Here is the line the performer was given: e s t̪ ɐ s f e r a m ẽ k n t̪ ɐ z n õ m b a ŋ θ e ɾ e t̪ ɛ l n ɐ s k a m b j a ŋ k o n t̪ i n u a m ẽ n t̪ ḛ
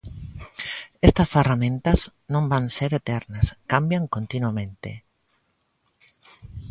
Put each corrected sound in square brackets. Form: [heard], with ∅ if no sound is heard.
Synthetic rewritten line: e s t̪ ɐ s f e r a m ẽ [∅] n t̪ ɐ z n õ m b a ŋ [s] e ɾ e t̪ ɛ [ɾ] n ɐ s k a m b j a ŋ k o n t̪ i n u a m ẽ n t̪ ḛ

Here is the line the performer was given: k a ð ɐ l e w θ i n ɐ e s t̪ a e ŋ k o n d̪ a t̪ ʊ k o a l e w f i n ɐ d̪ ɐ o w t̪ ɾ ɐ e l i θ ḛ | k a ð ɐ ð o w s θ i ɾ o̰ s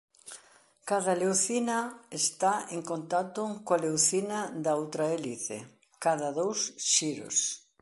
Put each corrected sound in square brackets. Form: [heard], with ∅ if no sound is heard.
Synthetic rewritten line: k a ð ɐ l e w θ i n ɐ e s t̪ a e ŋ k o n [t̪] a t̪ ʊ k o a l e w [θ] i n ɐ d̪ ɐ o w t̪ ɾ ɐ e l i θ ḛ | k a ð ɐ ð o w s [ʃ] i ɾ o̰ s

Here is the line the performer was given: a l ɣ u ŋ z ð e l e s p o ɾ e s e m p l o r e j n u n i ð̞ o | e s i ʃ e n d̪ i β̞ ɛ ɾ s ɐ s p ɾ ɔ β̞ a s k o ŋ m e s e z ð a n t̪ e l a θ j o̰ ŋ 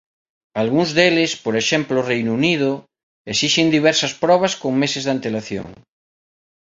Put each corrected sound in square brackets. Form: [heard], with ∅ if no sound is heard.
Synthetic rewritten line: a l ɣ u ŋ z ð e l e s p o ɾ e [ʃ] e m p l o r e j n u n i ð̞ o | e s i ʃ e n d̪ i β̞ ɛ ɾ s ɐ s p ɾ ɔ β̞ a s k o ŋ m e s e z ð a n t̪ e l a θ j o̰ ŋ

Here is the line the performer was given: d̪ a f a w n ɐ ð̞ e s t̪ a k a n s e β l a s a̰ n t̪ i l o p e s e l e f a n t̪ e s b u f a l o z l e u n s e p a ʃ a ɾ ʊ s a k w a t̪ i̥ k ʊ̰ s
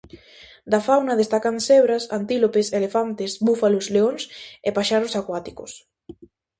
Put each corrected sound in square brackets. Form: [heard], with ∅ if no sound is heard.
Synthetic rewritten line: d̪ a f a w n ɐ ð̞ e s t̪ a k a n s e β [ɾ] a s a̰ n t̪ i l o p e s e l e f a n t̪ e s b u f a l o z l e [o] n s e p a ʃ a ɾ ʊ s a k w a t̪ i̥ k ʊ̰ s

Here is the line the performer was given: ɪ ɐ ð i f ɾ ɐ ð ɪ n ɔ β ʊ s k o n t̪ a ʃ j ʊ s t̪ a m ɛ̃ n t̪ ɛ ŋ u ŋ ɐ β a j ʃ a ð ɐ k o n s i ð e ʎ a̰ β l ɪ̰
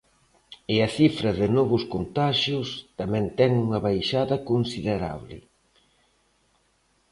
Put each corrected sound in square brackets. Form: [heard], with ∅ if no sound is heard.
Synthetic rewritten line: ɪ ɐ [θ] i f ɾ ɐ ð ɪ n ɔ β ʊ s k o n t̪ a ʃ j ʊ s t̪ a m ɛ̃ n t̪ ɛ ŋ u ŋ ɐ β a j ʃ a ð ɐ k o n s i ð e [ɾ] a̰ β l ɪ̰

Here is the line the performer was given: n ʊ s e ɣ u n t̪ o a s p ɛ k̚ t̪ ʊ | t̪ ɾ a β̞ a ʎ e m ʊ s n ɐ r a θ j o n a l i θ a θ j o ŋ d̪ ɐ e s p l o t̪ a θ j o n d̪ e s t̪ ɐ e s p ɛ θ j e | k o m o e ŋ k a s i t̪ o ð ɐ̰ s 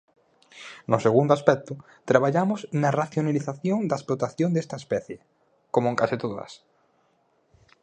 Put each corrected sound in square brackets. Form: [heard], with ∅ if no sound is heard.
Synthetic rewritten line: n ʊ s e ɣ u n [d̪] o a s p ɛ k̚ t̪ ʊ | t̪ ɾ a β̞ a ʎ [a] m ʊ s n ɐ r a θ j o n a l i θ a θ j o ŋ d̪ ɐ e s p l o t̪ a θ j o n d̪ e s t̪ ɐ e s p ɛ θ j e | k o m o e ŋ k a s i t̪ o ð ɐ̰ s

